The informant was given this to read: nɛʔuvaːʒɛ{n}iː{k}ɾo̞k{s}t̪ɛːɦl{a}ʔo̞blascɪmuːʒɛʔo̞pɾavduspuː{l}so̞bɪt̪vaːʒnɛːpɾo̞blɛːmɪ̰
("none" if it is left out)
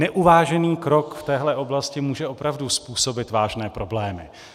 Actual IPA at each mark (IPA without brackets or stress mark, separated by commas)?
n, k, f, ɛ, none